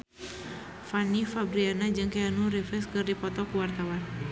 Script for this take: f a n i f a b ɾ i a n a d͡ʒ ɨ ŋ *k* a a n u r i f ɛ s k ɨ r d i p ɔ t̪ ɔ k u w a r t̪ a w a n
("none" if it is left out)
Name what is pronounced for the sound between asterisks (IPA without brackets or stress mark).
k